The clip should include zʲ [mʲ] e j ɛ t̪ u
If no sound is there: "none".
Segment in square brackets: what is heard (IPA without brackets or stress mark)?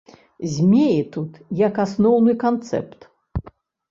mʲ